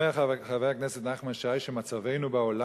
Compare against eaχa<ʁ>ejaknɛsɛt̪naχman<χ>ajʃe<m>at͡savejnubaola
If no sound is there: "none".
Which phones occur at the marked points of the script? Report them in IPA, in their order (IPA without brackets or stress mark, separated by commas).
v, ʃ, m